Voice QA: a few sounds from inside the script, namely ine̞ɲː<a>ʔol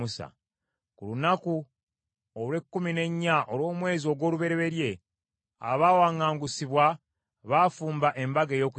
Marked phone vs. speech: correct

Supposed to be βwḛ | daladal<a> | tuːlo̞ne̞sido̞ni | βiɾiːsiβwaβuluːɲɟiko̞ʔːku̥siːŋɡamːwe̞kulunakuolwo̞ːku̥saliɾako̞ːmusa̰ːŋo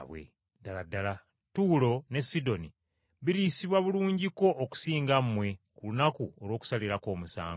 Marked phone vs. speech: correct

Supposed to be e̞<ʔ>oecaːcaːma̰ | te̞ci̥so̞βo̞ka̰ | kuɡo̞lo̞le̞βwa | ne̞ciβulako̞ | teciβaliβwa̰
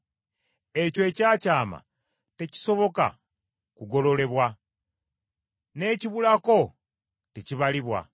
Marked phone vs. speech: incorrect: c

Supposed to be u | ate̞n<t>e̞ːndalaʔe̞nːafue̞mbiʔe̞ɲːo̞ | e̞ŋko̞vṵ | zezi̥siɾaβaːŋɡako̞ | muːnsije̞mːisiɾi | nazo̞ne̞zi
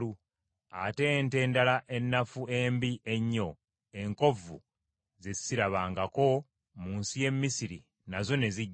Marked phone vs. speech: correct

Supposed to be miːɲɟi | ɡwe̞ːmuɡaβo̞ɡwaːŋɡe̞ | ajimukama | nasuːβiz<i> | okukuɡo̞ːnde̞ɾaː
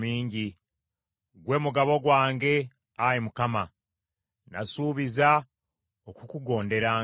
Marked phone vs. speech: incorrect: a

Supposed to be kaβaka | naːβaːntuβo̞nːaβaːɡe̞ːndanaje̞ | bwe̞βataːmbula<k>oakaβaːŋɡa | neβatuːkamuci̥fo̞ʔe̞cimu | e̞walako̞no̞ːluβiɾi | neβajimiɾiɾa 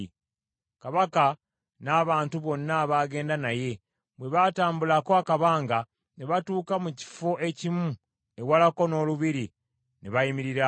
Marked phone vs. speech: correct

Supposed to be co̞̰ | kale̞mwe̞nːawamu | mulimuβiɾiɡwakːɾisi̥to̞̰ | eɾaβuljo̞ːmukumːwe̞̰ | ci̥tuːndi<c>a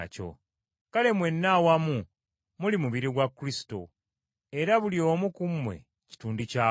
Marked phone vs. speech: correct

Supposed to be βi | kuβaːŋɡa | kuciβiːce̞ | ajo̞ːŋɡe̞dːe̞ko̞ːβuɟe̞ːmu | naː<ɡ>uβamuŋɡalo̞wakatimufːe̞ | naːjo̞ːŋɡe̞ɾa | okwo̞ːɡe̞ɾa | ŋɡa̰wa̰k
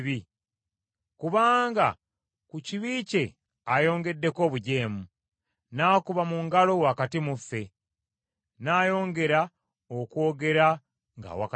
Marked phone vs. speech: incorrect: k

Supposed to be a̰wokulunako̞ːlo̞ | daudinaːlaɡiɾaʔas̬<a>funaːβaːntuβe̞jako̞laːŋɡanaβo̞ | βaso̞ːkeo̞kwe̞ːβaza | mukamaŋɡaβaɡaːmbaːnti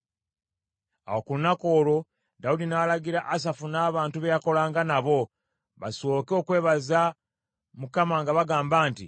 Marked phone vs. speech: correct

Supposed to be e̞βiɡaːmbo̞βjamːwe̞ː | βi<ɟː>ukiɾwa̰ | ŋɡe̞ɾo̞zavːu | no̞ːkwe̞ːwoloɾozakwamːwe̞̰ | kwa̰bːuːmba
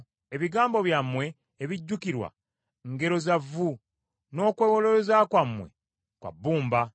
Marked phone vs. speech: correct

